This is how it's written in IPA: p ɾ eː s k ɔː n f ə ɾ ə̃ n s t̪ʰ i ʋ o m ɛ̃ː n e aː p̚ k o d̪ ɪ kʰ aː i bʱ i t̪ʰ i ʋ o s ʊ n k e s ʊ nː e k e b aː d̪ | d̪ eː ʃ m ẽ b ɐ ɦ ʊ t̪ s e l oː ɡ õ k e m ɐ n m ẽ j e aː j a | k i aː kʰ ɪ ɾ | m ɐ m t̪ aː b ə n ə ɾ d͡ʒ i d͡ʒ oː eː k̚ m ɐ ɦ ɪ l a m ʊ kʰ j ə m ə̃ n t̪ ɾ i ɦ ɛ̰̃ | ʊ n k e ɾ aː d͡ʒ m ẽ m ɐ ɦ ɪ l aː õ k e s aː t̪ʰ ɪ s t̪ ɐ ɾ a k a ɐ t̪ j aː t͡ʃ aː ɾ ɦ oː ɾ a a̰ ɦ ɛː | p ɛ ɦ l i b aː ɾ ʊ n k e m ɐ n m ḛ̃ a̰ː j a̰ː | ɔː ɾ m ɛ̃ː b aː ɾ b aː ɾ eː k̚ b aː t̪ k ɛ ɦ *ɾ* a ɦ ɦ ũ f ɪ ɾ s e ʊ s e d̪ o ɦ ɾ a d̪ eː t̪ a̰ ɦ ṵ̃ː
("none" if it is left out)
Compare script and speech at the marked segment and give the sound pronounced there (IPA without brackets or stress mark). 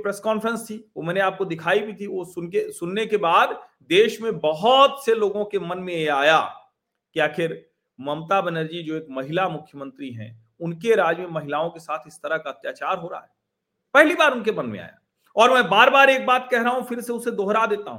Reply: ɾ